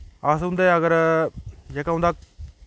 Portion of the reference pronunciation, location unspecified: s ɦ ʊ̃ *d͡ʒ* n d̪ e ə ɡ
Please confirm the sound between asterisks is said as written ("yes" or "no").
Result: no